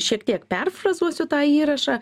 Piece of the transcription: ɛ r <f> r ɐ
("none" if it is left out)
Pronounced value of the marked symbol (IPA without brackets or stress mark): f